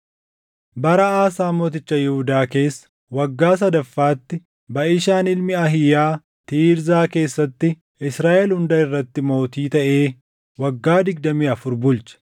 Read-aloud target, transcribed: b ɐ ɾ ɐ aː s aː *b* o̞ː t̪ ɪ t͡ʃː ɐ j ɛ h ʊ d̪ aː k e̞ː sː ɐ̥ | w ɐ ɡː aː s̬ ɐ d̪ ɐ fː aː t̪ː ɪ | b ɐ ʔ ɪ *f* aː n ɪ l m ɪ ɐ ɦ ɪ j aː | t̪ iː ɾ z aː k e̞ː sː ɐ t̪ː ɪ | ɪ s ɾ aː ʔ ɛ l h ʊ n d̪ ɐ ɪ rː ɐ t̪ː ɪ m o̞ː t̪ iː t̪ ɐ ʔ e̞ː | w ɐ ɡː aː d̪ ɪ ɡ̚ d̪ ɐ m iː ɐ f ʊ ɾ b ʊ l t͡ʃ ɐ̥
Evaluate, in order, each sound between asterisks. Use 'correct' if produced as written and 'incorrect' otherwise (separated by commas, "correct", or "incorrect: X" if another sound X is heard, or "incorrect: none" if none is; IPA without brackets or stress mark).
incorrect: m, incorrect: ʃ